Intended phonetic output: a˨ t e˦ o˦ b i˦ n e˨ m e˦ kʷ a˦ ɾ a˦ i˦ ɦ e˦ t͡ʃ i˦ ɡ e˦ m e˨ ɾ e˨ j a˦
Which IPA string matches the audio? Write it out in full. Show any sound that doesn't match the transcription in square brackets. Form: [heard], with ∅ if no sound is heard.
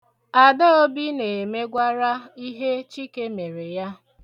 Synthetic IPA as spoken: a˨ [d] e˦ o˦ b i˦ n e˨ m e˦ [ɡʷ] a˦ ɾ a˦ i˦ ɦ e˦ t͡ʃ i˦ [k] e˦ m e˨ ɾ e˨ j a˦

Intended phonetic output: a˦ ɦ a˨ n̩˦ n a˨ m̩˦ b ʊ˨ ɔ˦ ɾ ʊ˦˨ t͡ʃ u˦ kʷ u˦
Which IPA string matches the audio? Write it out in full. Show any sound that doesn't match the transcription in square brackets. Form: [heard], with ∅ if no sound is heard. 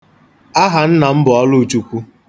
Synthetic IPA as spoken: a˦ ɦ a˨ n̩˦ n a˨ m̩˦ b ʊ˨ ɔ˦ [l] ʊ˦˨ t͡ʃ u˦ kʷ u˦

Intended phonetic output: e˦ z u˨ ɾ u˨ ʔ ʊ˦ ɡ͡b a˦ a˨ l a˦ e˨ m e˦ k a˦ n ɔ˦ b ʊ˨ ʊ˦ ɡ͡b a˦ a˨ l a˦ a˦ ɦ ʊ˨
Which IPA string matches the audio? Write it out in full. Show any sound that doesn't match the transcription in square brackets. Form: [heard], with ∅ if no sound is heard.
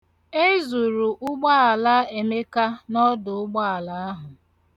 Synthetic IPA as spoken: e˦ z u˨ ɾ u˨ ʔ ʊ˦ ɡ͡b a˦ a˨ l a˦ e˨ m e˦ k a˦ n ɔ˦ [d] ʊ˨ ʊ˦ ɡ͡b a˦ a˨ l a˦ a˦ ɦ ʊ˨

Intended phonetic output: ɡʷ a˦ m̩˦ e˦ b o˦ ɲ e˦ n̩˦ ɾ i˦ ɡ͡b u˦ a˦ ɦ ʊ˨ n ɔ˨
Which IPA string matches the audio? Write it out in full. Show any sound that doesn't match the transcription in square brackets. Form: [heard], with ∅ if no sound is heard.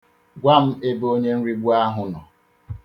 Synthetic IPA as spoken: ɡʷ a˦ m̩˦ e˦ b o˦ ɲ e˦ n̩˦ ɾ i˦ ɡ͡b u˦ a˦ ɦ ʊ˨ n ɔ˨

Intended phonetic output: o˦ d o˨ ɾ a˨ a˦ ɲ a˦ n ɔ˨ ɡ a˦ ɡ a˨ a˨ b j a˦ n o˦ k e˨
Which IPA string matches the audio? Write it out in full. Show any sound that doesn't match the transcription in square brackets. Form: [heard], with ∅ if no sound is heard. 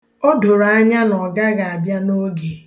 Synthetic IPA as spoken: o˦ d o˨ ɾ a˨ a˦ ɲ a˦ n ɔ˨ ɡ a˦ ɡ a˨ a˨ b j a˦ n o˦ [ɡ] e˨

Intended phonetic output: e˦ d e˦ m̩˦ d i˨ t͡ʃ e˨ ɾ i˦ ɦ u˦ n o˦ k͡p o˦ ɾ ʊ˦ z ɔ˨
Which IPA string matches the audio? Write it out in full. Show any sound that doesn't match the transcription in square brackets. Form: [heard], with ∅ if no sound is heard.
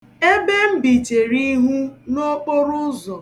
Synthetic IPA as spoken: e˦ [b] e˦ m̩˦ [b] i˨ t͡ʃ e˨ ɾ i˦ ɦ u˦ n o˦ k͡p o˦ ɾ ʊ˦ z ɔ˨

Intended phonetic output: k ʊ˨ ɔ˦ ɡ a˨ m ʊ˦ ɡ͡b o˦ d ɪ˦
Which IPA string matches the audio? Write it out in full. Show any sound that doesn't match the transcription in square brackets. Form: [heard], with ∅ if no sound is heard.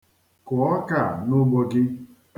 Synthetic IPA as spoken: k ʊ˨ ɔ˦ [k] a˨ [n] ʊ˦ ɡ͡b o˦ [ɡ] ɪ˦

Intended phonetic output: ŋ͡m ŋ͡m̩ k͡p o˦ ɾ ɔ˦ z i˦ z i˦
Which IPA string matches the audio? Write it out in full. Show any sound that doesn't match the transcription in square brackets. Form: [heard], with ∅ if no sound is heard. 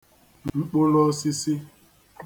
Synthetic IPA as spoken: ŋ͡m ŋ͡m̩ k͡p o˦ [l] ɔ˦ [s] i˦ [s] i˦

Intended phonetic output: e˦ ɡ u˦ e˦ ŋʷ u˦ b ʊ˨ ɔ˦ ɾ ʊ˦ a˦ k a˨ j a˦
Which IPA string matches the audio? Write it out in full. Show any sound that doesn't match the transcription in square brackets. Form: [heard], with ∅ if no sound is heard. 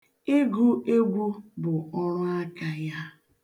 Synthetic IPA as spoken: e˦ ɡ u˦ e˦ [ɡʷ] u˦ b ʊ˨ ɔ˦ ɾ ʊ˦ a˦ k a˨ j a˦

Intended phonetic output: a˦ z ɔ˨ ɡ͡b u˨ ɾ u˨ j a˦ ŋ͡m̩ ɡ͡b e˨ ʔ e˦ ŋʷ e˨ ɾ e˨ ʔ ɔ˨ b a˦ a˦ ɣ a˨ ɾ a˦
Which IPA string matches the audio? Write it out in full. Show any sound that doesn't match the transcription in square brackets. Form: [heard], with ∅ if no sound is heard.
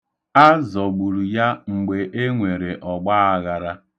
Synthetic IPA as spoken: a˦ z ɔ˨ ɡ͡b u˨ ɾ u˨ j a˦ ŋ͡m̩ ɡ͡b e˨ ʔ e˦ ŋʷ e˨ ɾ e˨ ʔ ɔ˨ [ɡ͡b] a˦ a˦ ɣ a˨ ɾ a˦

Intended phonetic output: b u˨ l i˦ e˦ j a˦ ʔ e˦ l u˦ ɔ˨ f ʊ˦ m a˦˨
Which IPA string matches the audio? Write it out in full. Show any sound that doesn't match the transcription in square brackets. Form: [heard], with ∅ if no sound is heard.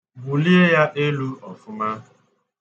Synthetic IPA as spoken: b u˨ l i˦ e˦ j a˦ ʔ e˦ l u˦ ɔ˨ f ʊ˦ m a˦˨

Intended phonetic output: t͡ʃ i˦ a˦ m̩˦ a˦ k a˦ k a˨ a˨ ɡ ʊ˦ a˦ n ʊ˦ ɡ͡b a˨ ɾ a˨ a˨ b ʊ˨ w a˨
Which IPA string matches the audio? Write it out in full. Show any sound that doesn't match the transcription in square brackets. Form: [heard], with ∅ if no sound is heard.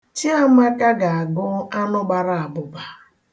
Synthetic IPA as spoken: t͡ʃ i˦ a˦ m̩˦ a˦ k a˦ [ɡ] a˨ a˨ ɡ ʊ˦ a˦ n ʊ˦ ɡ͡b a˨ ɾ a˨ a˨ b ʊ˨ [b] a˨

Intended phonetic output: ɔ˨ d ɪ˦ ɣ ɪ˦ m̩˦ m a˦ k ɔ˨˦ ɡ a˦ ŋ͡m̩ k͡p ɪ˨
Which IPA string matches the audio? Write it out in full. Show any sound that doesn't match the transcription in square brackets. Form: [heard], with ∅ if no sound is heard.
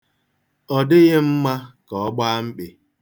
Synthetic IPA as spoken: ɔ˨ d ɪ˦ ɣ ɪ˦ m̩˦ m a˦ k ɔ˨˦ [ɡ͡b] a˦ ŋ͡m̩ k͡p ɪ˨

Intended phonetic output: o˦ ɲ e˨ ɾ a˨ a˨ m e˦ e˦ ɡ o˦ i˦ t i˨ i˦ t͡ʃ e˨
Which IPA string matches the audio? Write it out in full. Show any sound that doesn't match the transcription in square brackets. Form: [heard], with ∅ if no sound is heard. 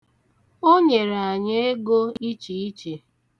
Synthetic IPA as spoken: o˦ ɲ e˨ ɾ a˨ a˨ [ɲ] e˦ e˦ ɡ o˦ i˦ [t͡ʃ] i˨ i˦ t͡ʃ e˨

